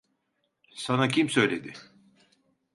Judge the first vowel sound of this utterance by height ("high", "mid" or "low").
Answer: low